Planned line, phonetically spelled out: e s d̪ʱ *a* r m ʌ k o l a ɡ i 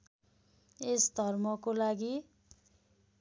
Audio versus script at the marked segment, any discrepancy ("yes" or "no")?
yes